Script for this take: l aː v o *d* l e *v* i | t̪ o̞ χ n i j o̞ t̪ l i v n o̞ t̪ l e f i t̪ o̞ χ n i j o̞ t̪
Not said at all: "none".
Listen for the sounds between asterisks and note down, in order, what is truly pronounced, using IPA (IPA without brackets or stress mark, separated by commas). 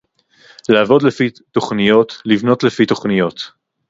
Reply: d, f